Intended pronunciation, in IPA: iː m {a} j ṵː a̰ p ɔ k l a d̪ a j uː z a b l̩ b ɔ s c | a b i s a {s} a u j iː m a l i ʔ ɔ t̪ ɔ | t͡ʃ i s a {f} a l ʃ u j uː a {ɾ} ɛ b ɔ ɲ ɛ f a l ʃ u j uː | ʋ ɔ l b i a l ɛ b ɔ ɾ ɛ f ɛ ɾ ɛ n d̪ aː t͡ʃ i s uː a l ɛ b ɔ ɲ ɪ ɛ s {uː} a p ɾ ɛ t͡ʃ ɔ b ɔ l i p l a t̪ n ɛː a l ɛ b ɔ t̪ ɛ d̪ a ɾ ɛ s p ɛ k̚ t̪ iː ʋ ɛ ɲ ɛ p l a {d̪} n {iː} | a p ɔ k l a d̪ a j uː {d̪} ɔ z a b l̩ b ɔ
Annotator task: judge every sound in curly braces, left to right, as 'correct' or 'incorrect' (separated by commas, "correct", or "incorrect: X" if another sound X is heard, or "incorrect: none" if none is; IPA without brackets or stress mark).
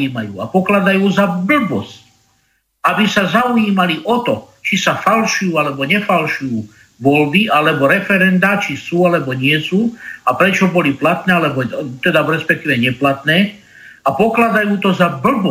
correct, incorrect: z, correct, incorrect: l, correct, incorrect: t̪, incorrect: ɛː, incorrect: t̪